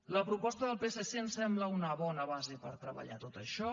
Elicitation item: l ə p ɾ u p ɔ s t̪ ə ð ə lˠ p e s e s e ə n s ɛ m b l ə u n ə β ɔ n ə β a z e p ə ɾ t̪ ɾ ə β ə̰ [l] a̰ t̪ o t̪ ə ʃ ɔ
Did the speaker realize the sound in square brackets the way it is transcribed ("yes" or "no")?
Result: no